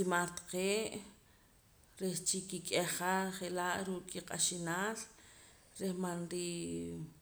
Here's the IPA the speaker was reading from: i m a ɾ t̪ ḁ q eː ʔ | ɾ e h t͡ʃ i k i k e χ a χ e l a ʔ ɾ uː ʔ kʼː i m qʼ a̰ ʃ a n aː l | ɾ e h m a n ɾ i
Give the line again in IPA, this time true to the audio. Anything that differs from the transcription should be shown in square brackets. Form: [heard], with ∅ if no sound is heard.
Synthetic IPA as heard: i m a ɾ t̪ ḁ q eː ʔ | ɾ e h t͡ʃ i k i [kʼ] e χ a χ e l a ʔ ɾ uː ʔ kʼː i [∅] qʼ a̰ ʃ [i] n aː l | ɾ e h m a n ɾ i

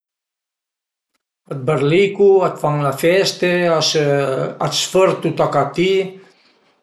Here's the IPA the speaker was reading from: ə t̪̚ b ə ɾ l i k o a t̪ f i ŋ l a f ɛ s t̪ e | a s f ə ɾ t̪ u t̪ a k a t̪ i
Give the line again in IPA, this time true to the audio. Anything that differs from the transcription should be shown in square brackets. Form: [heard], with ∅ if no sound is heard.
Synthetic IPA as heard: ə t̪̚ b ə ɾ l i k [u] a t̪ f [a] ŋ l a f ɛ s t̪ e | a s f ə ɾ t̪ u t̪ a k a t̪ i

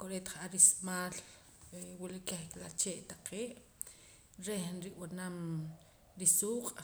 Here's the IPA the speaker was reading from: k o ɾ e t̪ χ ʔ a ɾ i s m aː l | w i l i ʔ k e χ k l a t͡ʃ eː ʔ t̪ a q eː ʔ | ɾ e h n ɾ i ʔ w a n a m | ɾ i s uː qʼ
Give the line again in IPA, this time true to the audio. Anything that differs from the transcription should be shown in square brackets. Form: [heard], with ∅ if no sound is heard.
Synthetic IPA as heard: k o ɾ e t̪ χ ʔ a ɾ i s m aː l | w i l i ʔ k e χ k l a t͡ʃ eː ʔ t̪ a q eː ʔ | ɾ e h n ɾ i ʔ w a n a m | ɾ i s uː qʼ

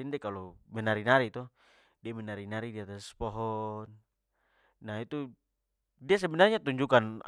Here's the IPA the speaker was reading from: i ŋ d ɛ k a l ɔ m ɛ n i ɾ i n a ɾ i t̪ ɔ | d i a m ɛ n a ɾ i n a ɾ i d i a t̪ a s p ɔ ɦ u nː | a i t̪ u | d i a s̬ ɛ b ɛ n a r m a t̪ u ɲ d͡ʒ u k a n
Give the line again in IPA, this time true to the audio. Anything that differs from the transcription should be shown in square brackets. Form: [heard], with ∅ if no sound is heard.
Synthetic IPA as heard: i [n] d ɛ k a l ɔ m ɛ n [a] ɾ i n a ɾ i t̪ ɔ | d i a m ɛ n a ɾ i n a ɾ i d i a t̪ a s p ɔ ɦ [ɔ] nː | a i t̪ u | d i a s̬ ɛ b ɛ n a r [ɲ] a t̪ u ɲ d͡ʒ u k a n

